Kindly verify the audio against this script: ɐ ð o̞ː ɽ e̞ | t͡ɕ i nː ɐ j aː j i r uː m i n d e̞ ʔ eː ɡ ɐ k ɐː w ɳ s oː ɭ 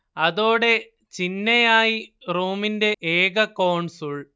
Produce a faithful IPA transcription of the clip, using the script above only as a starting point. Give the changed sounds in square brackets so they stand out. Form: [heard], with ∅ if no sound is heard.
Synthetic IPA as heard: ɐ ð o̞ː ɽ e̞ | t͡ɕ i nː ɐ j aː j i r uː m i n d e̞ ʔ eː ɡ ɐ k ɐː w ɳ s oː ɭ

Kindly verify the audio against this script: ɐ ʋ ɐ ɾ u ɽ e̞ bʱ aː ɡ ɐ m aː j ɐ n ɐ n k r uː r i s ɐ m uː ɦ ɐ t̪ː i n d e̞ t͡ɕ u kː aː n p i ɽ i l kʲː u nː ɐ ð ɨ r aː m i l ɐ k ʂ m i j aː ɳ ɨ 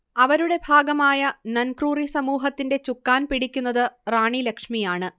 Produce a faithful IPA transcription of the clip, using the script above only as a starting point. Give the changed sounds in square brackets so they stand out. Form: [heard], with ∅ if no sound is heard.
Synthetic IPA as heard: ɐ ʋ ɐ ɾ u ɽ e̞ bʱ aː ɡ ɐ m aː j ɐ n ɐ n k r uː r i s ɐ m uː ɦ ɐ t̪ː i n d e̞ t͡ɕ u kː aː n p i ɽ i [∅] kʲː u nː ɐ ð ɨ r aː [ɳ] i l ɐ k ʂ m i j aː ɳ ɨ

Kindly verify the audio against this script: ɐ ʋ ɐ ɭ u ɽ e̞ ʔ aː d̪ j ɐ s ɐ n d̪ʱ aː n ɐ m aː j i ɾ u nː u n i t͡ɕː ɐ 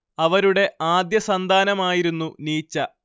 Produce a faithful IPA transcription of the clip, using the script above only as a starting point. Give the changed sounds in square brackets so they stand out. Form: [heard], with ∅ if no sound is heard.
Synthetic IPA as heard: ɐ ʋ ɐ [ɾ] u ɽ e̞ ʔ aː d̪ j ɐ s ɐ n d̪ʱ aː n ɐ m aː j i ɾ u nː u n [iː] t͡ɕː ɐ

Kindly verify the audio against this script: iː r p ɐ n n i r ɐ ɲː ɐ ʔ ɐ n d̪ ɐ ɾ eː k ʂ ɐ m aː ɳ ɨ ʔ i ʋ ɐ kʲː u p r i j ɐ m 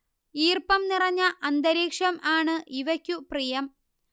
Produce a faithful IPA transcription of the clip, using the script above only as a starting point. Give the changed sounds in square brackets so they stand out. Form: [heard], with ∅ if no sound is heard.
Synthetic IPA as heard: iː r p ɐ [m] n i r ɐ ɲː ɐ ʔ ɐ n d̪ ɐ ɾ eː k ʂ ɐ m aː ɳ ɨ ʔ i ʋ ɐ kʲː u p r i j ɐ m

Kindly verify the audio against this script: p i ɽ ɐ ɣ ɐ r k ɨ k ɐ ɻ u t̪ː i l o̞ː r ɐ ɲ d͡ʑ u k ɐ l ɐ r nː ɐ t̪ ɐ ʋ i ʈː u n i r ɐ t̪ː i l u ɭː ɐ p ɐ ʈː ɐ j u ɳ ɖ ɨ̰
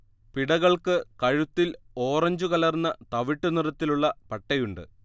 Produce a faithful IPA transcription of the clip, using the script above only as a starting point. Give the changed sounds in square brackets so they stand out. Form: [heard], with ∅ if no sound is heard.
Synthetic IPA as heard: p i ɽ ɐ ɣ ɐ [ɭ] k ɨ k ɐ ɻ u t̪ː i l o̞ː r ɐ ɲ d͡ʑ u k ɐ l ɐ r nː ɐ t̪ ɐ ʋ i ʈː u n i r ɐ t̪ː i l u ɭː ɐ p ɐ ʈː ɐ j u ɳ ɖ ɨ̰

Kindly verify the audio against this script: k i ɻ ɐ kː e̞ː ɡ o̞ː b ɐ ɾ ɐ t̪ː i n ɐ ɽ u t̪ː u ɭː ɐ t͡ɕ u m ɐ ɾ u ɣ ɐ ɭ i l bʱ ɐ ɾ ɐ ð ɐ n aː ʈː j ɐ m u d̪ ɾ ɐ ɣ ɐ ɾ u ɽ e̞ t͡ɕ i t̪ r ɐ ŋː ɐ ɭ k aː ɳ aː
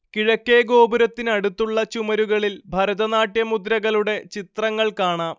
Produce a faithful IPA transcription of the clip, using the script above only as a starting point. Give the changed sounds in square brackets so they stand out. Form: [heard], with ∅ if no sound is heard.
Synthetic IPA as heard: k i ɻ ɐ kː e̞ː ɡ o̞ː b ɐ ɾ ɐ t̪ː i n ɐ ɽ u t̪ː u ɭː ɐ t͡ɕ u m ɐ ɾ u ɣ ɐ ɭ i l bʱ ɐ ɾ ɐ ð ɐ n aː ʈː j ɐ m u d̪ ɾ ɐ ɣ ɐ [ɭ] u ɽ e̞ t͡ɕ i t̪ r ɐ ŋː ɐ ɭ k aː ɳ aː

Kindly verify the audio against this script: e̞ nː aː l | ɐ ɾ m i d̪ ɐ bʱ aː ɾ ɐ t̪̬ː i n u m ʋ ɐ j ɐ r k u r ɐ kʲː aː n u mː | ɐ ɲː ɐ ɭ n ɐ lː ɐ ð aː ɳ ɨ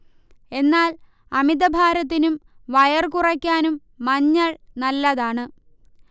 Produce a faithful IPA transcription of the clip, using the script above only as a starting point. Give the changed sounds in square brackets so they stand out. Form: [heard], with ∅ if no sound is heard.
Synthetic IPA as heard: e̞ nː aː l | ɐ [∅] m i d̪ ɐ bʱ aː ɾ ɐ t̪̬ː i n u m ʋ ɐ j ɐ r k u r ɐ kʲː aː n u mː | ɐ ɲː ɐ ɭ n ɐ lː ɐ ð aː ɳ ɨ

